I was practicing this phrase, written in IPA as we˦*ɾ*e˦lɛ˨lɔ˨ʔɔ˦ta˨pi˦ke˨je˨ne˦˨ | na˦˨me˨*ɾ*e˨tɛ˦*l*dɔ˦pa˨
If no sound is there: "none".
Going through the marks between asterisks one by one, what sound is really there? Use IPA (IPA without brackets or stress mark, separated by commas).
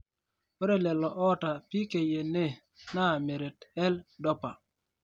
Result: ɾ, ɾ, l